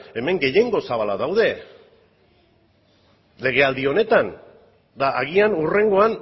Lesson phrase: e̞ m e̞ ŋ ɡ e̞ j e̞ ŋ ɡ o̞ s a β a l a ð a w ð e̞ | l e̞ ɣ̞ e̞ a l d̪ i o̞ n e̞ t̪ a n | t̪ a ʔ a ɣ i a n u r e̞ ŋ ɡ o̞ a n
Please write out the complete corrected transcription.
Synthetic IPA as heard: e̞ m e̞ ŋ ɡ e̞ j e̞ ŋ ɡ o̞ s a β a l a ð a w ð e̞ | l e̞ ɣ̞ e̞ a l d̪ i o̞ n e̞ t̪ a n | d̪ a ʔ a ɣ i a n u r e̞ ŋ ɡ o̞ a n

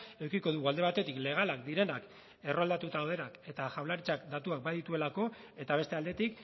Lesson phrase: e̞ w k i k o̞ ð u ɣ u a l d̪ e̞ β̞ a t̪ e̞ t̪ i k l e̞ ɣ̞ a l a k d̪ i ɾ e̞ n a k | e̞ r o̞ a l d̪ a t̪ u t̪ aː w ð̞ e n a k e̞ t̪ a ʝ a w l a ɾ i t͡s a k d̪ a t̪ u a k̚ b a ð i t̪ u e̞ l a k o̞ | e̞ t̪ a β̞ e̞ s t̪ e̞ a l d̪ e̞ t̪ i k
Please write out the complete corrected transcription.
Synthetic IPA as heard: e̞ w k i k o̞ ð u ɣ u a l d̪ e̞ β̞ a t̪ e̞ t̪ i k l e̞ ɣ̞ a l a k d̪ i ɾ e̞ n a k | e̞ r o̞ a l d̪ a t̪ u t̪ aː w ð̞ e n a k e̞ t̪ a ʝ a w l a ɾ i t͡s a k d̪ a t̪ u a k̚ b a ð i t̪ u e̞ l a k o̞ | e̞ t̪ a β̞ e̞ s t̪ e̞ a l d̪ e̞ t̪ i k

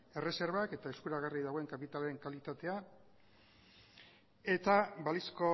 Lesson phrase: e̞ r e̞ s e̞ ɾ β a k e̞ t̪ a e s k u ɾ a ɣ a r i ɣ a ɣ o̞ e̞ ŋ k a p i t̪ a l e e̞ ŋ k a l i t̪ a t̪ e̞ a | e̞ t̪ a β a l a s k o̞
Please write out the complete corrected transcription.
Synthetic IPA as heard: e̞ r e̞ s e̞ ɾ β a k e̞ t̪ a e s k u ɾ a ɣ a r i ð a ɣ o̞ e̞ ŋ k a p i t̪ a l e e̞ ŋ k a l i t̪ a t̪ e̞ a | e̞ t̪ a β a l i s k o̞

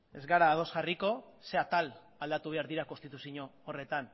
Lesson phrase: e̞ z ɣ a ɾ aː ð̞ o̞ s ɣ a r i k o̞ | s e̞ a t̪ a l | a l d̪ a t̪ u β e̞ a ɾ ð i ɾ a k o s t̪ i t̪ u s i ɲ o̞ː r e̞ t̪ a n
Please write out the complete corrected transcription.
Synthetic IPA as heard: e̞ z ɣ a ɾ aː ð̞ o̞ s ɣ a r i k o̞ | s e̞ a t̪ a l | a l d̪ a t̪ u β e̞ a ɾ ð i ɾ a k o s t̪ i t̪ u s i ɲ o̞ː r e̞ t̪ a n

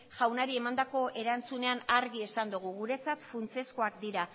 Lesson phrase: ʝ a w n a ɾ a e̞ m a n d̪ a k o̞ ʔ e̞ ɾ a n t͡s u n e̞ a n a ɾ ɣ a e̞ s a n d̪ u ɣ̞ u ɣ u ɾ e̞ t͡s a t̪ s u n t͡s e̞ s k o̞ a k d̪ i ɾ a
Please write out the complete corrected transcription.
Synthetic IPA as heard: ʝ a w n a ɾ i e̞ m a n d̪ a k o̞ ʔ e̞ ɾ a n t͡s u n e̞ a n a ɾ ɣ i e̞ s a n d̪ u ɣ̞ u ɣ u ɾ e̞ t͡s a t̪ f u n t͡s e̞ s k o̞ a k d̪ i ɾ a

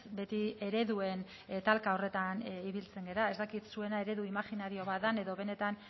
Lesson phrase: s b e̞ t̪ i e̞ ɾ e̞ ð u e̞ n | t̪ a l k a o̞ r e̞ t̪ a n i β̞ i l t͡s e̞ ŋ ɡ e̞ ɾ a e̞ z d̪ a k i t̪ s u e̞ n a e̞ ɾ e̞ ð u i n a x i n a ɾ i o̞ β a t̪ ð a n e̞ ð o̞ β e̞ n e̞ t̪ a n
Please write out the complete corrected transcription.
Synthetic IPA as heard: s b e̞ t̪ i e̞ ɾ e̞ ð u e̞ n | t̪ a l k a o̞ r e̞ t̪ a n i β̞ i l t͡s e̞ ŋ ɡ e̞ ɾ a e̞ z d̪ a k i t̪ s u e̞ n a e̞ ɾ e̞ ð u i m a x i n a ɾ i o̞ β a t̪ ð a n e̞ ð o̞ β e̞ n e̞ t̪ a n

